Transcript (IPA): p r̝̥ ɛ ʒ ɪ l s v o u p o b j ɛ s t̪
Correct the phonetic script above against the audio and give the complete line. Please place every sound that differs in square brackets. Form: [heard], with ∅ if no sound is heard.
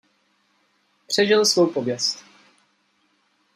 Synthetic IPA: p r̝̥ ɛ ʒ ɪ l s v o [w] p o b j ɛ s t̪